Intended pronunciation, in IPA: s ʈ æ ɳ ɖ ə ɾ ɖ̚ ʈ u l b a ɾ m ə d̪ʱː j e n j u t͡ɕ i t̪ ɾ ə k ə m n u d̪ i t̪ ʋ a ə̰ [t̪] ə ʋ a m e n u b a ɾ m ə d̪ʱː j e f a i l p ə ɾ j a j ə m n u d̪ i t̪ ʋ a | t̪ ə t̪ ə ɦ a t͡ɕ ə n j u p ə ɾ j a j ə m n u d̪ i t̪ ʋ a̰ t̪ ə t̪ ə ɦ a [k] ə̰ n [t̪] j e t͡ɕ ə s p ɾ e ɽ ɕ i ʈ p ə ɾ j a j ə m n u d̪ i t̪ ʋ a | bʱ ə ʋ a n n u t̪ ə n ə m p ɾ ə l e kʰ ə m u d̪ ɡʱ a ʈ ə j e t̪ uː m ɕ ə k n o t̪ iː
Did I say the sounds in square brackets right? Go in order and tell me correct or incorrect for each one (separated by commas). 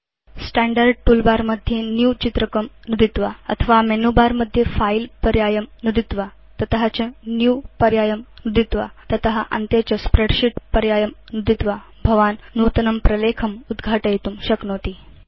incorrect, incorrect, correct